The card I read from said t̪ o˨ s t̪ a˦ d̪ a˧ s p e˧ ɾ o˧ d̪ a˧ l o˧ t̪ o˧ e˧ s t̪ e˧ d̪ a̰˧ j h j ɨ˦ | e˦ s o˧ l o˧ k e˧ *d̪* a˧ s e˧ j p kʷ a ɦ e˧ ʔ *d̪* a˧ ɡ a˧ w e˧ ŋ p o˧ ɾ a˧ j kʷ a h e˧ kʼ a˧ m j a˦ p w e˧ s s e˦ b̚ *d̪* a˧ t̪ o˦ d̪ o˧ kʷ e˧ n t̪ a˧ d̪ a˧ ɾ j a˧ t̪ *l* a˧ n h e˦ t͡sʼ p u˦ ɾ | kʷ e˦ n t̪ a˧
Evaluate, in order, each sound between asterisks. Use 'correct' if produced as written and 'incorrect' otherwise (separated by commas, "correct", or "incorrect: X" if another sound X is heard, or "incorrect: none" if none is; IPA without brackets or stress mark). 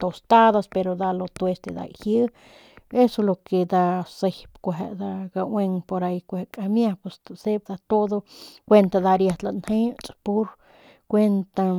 correct, correct, correct, correct